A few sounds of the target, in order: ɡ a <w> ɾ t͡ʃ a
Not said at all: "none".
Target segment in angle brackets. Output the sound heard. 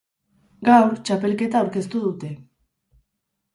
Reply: w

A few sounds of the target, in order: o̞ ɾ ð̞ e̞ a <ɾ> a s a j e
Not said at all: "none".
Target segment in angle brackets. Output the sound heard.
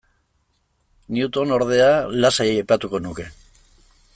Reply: l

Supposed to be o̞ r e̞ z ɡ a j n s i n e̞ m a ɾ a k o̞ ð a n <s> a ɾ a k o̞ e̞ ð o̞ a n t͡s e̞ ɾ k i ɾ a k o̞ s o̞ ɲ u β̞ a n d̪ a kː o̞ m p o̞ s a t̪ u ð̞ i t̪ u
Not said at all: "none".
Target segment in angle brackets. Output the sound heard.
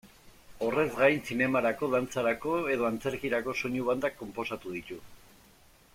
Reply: t͡s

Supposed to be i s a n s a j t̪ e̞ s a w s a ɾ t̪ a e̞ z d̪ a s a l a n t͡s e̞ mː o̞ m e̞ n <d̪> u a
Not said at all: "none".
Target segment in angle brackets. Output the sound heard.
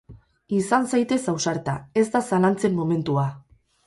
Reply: t̪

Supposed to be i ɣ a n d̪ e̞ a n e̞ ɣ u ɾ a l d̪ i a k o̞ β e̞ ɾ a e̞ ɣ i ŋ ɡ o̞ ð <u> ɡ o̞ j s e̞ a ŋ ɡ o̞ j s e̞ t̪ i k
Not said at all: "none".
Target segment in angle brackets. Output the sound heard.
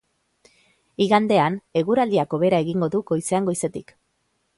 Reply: u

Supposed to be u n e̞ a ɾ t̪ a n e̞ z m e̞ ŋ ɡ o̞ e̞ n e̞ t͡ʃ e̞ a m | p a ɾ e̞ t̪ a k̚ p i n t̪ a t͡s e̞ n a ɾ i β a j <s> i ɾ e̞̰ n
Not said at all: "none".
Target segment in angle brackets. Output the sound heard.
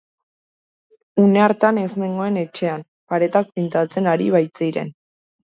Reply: t͡s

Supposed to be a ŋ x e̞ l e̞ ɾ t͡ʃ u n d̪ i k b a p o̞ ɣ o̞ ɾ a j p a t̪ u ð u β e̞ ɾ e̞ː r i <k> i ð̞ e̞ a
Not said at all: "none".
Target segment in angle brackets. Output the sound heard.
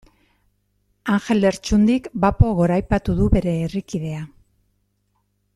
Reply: k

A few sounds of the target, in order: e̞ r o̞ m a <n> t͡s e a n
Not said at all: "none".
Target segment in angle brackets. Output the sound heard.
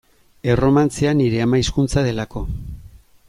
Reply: n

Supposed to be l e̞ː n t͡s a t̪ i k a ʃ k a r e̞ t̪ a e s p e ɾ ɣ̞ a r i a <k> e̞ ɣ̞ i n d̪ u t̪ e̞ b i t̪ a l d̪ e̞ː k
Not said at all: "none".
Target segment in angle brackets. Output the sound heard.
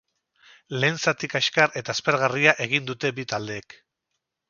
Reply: ʔ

